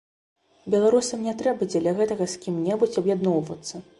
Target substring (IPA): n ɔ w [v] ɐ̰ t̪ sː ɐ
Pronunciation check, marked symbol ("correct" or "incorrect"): correct